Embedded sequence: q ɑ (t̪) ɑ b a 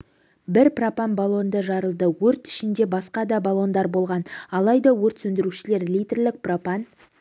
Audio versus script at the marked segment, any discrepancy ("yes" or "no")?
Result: yes